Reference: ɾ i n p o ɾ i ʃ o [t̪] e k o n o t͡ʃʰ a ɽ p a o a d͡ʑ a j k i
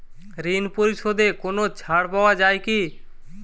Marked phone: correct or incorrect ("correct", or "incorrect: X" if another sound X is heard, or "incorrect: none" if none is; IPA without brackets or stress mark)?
incorrect: d̪